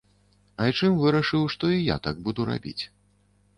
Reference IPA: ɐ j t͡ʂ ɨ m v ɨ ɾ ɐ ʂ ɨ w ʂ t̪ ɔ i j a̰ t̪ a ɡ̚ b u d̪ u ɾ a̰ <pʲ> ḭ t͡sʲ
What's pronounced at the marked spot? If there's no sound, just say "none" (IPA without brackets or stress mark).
bʲ